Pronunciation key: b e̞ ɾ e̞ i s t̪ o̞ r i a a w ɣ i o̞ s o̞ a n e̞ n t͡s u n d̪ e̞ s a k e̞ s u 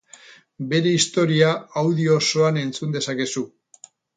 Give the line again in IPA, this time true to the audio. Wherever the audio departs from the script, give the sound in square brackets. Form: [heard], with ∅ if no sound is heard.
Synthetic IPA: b e̞ ɾ e̞ i s t̪ o̞ [ɾ] i a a w [ð] i o̞ s o̞ a n e̞ n t͡s u n d̪ e̞ s a k e̞ s u